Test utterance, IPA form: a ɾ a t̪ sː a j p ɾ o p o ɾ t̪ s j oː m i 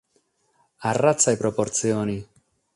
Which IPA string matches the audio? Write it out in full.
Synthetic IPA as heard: a r a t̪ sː a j p ɾ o p o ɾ t̪ s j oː n i